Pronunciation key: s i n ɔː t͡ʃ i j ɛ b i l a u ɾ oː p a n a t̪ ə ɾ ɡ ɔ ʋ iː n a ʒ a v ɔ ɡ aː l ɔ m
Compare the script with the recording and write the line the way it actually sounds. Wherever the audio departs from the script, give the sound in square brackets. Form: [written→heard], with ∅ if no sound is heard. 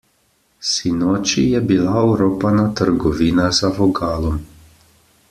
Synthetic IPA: s i n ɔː t͡ʃ i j ɛ b i l a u ɾ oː p a n a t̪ ə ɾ ɡ ɔ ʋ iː n a [ʒ→z] a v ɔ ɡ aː l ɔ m